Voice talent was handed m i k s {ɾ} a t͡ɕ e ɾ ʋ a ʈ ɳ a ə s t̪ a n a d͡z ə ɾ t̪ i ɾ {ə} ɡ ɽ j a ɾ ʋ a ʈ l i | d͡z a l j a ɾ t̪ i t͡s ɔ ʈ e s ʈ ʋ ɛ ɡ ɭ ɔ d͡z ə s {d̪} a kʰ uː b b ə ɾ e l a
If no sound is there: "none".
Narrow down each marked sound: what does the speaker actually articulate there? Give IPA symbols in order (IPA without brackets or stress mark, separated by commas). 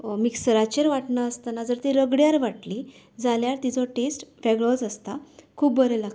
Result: ɾ, ə, t̪